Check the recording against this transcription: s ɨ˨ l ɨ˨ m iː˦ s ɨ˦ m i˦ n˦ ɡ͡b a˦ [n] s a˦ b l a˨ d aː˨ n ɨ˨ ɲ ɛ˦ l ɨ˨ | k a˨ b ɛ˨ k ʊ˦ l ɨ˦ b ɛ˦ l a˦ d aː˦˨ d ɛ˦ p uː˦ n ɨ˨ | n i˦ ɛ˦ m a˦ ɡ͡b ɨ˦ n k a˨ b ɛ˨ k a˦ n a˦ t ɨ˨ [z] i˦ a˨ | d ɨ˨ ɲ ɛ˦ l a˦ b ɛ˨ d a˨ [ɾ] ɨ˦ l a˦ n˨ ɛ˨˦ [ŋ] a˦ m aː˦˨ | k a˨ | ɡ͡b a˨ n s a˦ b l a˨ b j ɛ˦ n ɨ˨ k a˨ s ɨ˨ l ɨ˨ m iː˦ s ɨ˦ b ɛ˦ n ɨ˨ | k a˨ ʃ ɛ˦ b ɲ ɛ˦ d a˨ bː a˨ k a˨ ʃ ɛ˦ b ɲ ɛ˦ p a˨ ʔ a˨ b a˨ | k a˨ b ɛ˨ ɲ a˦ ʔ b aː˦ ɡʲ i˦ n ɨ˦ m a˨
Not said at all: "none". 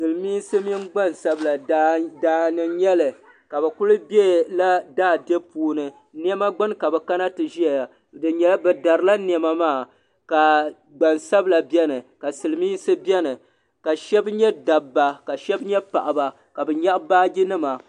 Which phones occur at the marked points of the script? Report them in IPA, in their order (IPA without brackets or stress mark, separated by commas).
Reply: n, ʒ, ɾ, m